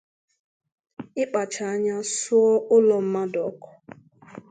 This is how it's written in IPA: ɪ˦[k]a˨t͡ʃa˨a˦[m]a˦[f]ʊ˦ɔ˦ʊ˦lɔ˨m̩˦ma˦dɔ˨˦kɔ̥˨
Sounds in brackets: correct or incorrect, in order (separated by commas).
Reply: incorrect, incorrect, incorrect